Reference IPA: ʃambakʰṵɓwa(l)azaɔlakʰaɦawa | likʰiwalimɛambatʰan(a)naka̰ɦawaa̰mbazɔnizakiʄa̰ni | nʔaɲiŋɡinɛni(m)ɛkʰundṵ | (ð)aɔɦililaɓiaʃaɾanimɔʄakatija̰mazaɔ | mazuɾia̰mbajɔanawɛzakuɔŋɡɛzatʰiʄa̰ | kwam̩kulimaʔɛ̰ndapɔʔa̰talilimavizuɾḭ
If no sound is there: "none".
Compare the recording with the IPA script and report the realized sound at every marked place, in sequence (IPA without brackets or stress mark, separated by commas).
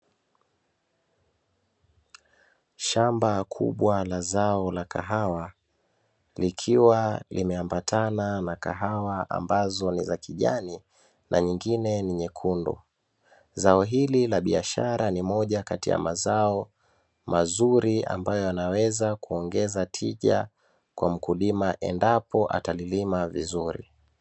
l, a, ɲ, z